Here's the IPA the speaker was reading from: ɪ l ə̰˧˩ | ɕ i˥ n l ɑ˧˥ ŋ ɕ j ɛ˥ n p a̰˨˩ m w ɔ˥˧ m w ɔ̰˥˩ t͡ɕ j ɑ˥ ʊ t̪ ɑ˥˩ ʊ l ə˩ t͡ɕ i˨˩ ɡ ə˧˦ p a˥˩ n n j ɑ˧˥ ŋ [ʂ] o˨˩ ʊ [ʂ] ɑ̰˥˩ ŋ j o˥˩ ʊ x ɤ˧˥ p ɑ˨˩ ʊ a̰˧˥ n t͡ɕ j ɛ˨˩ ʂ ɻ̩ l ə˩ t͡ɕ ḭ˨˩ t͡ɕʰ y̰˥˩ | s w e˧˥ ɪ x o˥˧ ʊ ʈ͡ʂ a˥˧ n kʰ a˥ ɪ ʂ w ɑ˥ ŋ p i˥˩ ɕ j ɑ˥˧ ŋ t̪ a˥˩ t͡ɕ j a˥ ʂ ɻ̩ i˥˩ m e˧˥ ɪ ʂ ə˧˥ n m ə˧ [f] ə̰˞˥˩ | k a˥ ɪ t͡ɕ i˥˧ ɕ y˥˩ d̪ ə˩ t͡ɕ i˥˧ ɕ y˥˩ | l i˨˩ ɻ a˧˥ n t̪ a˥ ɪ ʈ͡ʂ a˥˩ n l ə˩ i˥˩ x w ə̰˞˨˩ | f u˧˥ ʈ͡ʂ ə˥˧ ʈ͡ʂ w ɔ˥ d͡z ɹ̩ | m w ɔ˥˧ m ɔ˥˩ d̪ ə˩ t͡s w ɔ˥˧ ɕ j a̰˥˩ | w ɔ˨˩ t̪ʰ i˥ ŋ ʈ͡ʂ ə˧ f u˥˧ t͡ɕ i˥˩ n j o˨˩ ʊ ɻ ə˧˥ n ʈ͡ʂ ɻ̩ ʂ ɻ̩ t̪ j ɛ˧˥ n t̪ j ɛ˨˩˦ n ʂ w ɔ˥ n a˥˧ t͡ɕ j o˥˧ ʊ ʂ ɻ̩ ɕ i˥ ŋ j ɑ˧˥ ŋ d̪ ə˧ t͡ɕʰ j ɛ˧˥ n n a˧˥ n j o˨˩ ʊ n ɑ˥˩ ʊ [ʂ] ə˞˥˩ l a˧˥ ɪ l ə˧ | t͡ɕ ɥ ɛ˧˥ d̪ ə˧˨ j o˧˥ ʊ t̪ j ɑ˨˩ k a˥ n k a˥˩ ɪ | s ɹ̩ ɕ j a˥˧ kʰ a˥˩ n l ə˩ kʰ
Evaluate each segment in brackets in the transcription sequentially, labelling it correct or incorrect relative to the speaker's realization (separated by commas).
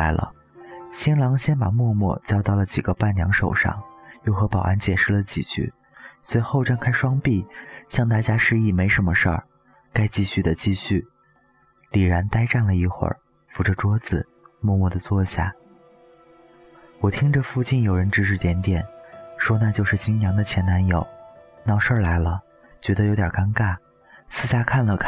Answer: correct, correct, incorrect, correct